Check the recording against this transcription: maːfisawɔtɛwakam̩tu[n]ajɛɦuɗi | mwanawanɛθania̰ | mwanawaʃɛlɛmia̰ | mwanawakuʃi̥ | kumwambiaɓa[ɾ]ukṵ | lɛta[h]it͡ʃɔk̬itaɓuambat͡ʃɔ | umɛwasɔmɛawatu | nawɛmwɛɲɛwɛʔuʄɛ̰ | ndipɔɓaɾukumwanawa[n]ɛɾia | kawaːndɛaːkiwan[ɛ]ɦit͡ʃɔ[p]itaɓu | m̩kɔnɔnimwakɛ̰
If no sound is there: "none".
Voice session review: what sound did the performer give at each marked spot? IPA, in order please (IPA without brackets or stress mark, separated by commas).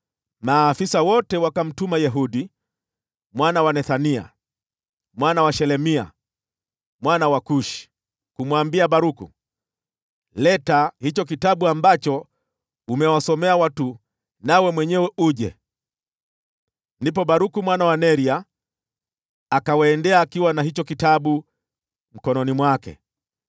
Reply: m, ɾ, h, n, a, k